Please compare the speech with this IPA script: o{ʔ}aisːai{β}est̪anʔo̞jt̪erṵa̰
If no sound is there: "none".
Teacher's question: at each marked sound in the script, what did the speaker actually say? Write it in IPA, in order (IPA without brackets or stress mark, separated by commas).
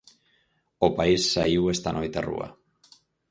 p, w